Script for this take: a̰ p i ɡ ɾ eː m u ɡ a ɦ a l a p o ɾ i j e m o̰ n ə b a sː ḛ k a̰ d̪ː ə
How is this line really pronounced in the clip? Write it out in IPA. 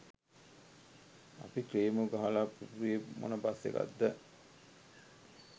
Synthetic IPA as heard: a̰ p i k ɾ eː m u ɡ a ɦ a l a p u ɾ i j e m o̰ n ə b a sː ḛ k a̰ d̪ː ə